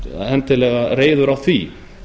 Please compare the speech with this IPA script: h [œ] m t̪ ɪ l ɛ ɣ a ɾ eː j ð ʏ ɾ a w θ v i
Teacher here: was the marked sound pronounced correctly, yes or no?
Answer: no